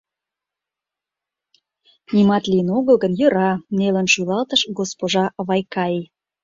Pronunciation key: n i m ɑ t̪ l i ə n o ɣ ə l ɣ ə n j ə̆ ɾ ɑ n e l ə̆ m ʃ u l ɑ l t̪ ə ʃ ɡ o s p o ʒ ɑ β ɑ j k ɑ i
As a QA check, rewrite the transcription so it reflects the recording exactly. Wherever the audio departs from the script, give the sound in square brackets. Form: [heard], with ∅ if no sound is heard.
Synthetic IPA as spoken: n i m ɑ t̪ l i ə n o ɣ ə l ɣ ə n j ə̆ ɾ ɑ n e l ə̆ [n] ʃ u l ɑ l t̪ ə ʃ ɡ o s p o ʒ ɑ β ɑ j k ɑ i

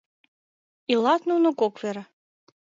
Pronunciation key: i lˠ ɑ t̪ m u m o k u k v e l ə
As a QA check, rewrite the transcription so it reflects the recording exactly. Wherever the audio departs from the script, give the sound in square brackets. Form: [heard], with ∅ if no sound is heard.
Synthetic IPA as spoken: i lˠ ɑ t̪ [n] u [n] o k [o] k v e [ɾ] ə

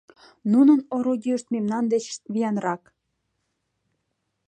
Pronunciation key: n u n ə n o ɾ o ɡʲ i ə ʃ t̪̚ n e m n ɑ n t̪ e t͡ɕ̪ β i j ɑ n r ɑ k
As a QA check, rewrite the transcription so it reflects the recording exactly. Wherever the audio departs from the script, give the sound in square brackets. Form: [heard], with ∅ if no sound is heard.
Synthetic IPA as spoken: n u n ə n o ɾ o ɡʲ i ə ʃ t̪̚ [m] e m n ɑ n [d̪] e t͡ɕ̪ β i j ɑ n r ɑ k

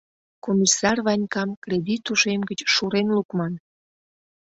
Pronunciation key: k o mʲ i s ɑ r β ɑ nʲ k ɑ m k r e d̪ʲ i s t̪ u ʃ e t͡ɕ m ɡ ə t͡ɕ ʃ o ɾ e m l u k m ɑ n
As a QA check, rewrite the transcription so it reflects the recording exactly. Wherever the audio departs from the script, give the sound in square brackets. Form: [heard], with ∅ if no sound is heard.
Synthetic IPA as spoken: k o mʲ i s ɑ r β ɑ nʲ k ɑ m k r e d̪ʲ i [∅] t̪ u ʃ e [∅] m ɡ ə t͡ɕ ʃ [u] ɾ e [n] l u k m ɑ n

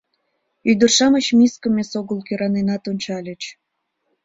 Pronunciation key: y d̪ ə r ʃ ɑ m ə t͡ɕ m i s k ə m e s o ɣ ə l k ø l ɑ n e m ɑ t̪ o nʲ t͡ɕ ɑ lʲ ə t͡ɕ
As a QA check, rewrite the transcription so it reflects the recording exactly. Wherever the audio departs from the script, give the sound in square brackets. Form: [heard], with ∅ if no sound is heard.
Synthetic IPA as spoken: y d̪ ə r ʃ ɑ m ə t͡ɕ m i s k ə m e s o ɣ ə l k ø [ɾ] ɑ n e [n] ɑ t̪ o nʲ t͡ɕ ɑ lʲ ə t͡ɕ

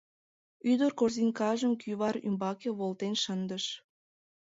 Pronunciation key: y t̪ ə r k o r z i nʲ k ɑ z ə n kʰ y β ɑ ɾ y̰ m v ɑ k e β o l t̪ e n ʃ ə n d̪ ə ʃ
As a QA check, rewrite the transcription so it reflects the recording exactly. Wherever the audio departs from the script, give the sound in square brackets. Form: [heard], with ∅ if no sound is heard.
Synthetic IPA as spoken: y [d̪] ə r k o r z i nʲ k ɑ [ʒ] ə [m] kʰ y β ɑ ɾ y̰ m [b] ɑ k e β o l t̪ e n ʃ ə n d̪ ə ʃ

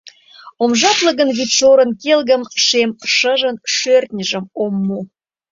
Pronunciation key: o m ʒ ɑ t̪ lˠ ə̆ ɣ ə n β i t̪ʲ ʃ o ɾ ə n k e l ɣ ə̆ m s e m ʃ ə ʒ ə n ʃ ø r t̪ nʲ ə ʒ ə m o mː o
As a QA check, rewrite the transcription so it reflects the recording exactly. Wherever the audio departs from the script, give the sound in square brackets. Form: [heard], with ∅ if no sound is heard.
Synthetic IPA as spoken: o m ʒ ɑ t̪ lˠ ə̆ ɣ ə n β i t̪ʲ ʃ o ɾ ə n k e l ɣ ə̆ m [ʃ] e m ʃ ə ʒ ə n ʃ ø r t̪ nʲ ə ʒ ə m o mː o

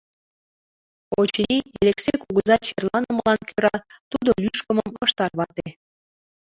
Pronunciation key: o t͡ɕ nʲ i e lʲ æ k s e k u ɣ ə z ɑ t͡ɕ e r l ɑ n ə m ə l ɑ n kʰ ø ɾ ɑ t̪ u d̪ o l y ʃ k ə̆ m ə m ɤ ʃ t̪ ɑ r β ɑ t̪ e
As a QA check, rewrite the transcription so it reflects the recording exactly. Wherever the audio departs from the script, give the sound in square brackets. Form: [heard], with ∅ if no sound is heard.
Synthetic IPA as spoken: o t͡ɕ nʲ i e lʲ [e] k s e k u ɣ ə z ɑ t͡ɕ e r l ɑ n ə m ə l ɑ n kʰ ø ɾ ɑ t̪ u d̪ o l y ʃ k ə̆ m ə m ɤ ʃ t̪ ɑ r β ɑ t̪ e

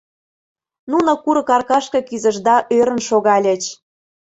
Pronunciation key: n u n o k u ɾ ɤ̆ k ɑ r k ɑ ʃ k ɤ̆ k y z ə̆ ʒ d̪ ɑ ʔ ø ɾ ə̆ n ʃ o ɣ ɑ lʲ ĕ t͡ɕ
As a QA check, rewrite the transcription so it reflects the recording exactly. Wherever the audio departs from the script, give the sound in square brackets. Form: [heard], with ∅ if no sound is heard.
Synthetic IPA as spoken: n u n o k u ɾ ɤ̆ k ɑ r k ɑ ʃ k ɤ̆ k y z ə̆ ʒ d̪ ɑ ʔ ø ɾ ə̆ n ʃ o ɣ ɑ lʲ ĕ t͡ɕ

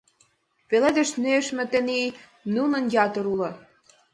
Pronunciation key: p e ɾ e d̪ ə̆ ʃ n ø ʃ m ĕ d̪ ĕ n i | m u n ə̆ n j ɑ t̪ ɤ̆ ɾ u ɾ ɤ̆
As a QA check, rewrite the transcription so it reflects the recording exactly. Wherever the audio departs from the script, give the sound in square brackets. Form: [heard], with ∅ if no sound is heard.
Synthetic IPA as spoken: p e [l] e d̪ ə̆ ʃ n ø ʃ m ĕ [t̪] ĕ n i | [n] u n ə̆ n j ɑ t̪ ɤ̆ ɾ u [l] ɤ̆

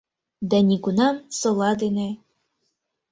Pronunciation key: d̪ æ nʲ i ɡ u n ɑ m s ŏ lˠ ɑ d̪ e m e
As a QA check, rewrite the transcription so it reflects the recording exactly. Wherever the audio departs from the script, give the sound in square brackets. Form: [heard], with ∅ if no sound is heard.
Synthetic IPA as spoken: d̪ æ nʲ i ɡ u n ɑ m s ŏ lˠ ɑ d̪ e [n] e

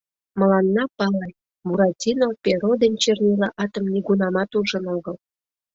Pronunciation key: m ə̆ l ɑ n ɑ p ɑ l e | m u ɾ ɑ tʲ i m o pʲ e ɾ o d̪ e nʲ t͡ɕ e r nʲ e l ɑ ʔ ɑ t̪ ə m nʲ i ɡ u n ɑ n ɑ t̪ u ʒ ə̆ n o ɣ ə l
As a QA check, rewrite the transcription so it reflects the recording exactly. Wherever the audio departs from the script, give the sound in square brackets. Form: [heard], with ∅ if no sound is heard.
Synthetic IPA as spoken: m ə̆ l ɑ [nː] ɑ p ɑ l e | m u ɾ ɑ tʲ i [n] o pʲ e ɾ o d̪ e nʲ t͡ɕ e r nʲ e l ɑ ʔ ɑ t̪ ə m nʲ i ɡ u n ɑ [m] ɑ t̪ u ʒ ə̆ n o ɣ ə l

